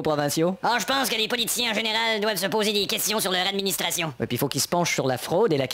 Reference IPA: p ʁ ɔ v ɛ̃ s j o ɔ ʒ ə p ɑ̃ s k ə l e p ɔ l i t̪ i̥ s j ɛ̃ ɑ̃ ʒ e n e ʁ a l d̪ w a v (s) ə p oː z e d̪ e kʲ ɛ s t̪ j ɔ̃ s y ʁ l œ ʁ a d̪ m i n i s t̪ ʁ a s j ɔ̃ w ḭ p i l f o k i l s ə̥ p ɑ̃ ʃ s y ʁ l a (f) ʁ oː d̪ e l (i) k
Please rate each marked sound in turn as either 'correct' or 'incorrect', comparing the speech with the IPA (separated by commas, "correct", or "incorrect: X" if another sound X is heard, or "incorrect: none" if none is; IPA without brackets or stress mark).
correct, correct, incorrect: a